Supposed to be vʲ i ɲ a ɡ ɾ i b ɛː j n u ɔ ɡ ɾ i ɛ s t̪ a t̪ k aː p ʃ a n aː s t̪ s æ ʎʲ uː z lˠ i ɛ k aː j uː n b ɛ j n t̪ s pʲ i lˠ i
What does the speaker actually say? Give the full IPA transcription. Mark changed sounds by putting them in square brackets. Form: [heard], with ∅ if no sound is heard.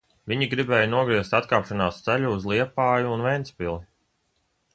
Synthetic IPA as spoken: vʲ i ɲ [i] ɡ ɾ i b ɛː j n u ɔ ɡ ɾ i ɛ s t̪ a t̪ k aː p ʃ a n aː s t̪ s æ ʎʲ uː z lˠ i ɛ [p] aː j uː n [v] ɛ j n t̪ s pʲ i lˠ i